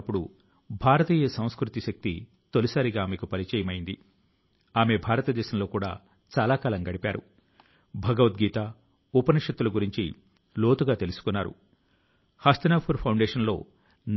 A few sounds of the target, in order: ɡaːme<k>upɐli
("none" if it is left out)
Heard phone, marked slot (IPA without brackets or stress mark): k